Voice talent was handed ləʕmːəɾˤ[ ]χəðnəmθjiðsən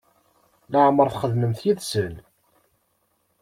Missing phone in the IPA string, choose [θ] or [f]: θ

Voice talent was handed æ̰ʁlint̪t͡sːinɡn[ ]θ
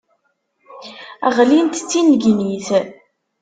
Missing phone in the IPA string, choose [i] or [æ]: i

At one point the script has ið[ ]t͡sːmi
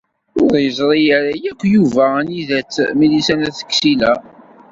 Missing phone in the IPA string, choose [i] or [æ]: æ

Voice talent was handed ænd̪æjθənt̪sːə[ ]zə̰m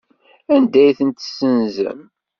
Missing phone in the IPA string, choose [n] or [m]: n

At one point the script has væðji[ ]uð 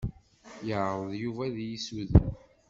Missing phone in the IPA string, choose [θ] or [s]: s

